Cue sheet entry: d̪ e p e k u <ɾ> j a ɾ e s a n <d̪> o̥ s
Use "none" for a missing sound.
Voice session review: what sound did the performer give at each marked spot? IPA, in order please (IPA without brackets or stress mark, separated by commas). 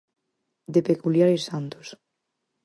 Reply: l, t̪